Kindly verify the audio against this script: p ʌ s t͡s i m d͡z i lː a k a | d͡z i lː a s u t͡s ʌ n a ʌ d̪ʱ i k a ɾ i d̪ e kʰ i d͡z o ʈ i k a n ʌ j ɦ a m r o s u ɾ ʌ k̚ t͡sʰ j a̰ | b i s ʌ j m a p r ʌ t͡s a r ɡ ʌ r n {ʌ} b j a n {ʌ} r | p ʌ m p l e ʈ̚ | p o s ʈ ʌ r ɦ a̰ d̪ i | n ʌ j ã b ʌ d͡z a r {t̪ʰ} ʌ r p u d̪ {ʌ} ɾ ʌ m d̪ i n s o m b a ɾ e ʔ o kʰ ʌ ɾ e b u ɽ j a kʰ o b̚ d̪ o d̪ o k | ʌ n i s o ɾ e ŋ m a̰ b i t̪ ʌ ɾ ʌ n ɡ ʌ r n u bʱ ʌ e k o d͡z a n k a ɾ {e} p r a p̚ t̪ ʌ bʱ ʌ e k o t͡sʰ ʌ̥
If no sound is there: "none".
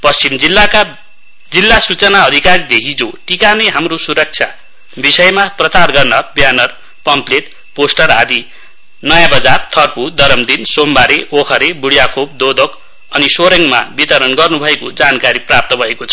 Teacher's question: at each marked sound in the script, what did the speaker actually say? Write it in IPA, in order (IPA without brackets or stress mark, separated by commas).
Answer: ʌ, ʌ, t̪ʰ, ʌ, i